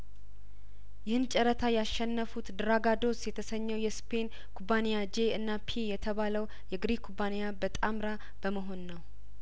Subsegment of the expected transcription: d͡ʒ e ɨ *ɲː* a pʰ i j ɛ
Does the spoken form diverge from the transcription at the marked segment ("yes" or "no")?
yes